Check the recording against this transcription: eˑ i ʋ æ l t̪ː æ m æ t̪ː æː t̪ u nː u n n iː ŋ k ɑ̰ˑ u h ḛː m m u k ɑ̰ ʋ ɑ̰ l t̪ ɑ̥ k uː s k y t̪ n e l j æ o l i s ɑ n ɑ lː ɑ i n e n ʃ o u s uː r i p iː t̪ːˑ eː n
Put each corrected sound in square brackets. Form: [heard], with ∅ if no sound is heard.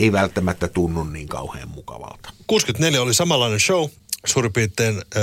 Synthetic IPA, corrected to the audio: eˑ i ʋ æ l t̪ː æ m æ t̪ː [æ] t̪ u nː u n n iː ŋ k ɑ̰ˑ u h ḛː m m u k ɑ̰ ʋ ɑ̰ l t̪ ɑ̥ k uː s k y t̪ n e l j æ o l i s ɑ [m] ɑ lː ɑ i n e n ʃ o u s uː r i p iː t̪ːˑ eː n